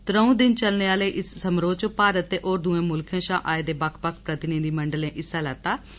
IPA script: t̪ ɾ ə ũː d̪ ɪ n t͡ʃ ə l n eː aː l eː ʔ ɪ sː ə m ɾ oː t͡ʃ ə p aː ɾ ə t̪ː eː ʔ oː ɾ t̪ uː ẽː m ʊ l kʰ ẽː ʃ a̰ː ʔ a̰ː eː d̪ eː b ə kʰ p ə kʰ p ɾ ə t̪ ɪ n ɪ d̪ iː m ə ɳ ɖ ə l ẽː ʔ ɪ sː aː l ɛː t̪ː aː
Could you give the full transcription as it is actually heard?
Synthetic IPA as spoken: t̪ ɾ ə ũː d̪ ɪ n t͡ʃ ə l n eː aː l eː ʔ ɪ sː ə m ɾ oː t͡ʃ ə p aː ɾ ə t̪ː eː ʔ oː ɾ d̪ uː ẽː m ʊ l kʰ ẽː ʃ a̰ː ʔ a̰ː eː d̪ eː b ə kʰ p ə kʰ p ɾ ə t̪ ɪ n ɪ d̪ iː m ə ɳ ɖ ə l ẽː ʔ ɪ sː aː l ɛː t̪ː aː